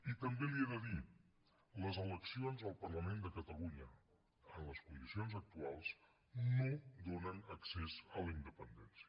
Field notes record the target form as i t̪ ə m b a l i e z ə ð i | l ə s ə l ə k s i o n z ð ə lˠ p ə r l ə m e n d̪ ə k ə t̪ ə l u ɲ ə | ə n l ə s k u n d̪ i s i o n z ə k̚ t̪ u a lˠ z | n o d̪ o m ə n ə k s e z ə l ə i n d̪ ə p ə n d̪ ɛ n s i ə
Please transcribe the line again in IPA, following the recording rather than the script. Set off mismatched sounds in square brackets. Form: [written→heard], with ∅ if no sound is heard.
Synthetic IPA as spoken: i t̪ ə m b [a→e] l i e [z→ð] ə ð i | l ə [s→z] ə l ə k s i o n z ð ə lˠ p ə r l ə m e n d̪ ə k ə t̪ ə l u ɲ ə | ə n l ə s k u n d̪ i s i o n z ə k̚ t̪ u a lˠ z | n o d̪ o [m→n] ə n ə k s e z ə l ə i n d̪ ə p ə n d̪ ɛ n s i ə